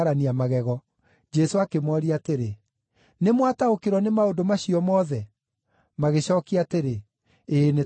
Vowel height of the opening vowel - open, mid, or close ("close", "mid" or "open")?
open